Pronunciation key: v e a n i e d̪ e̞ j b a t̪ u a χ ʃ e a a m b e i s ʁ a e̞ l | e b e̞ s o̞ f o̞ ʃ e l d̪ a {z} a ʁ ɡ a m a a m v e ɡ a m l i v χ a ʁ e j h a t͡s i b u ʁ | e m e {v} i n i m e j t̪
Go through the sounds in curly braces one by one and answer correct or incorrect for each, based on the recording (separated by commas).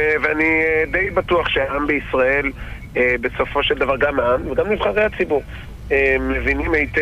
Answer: incorrect, correct